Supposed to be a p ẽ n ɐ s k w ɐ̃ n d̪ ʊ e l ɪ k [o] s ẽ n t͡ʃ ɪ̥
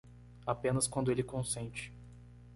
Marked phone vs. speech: incorrect: õ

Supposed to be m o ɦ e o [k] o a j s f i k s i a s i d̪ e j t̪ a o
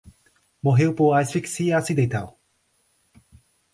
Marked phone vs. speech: incorrect: p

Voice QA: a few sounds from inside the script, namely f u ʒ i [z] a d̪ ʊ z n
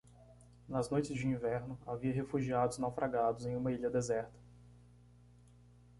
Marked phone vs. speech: incorrect: none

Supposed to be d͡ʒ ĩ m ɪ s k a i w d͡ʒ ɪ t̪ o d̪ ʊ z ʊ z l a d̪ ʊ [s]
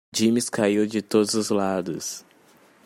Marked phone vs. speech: correct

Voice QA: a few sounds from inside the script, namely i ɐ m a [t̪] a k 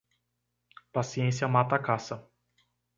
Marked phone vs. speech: correct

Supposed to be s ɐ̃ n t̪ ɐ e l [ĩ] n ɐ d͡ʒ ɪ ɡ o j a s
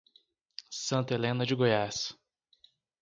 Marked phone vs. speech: incorrect: ẽ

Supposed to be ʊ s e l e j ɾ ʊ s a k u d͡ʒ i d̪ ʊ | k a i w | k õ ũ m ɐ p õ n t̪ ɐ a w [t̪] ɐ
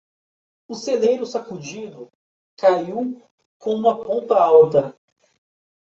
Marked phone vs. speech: correct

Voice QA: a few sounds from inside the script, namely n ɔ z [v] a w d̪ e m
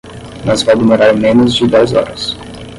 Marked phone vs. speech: correct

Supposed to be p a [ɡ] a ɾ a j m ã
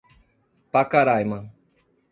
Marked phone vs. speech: incorrect: k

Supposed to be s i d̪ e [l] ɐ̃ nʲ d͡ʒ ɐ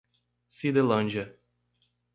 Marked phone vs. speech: correct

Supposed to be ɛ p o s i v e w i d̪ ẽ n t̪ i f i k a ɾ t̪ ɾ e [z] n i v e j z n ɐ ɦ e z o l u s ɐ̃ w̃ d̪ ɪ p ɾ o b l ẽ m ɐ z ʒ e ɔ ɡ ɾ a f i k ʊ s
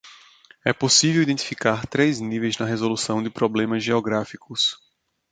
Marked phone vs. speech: correct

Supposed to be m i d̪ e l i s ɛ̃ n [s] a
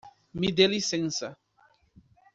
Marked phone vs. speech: correct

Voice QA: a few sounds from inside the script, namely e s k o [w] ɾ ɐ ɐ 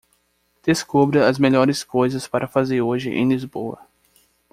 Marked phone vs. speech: incorrect: b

